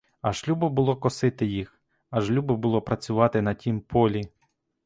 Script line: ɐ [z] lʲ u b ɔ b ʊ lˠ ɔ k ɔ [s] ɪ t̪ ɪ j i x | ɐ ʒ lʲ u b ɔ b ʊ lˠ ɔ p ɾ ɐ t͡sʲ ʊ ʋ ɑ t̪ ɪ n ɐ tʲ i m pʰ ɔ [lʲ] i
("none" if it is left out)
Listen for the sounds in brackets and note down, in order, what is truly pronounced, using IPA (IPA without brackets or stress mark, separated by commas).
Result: ʒ, s, lʲ